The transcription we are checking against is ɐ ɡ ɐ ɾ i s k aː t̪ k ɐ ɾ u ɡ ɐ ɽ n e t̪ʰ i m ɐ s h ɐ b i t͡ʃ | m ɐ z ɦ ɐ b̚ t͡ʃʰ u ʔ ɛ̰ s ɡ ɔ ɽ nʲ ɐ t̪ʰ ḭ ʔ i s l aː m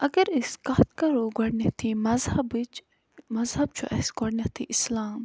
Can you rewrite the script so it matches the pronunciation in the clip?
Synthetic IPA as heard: ɐ ɡ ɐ ɾ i s k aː t̪ k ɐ ɾ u ɡ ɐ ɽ n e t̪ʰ i m ɐ z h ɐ b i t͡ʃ | m ɐ z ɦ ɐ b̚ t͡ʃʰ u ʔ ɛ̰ s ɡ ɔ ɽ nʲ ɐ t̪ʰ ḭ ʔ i s l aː m